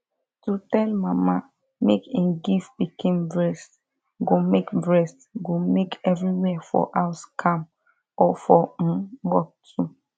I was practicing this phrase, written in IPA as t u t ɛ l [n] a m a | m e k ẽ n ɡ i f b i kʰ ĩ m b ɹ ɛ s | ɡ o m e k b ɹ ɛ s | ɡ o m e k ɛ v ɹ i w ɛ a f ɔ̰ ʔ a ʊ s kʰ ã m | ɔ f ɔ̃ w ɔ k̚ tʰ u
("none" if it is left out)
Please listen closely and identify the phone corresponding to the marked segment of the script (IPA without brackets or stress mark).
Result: m